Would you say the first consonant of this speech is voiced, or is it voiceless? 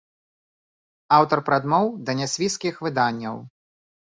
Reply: voiced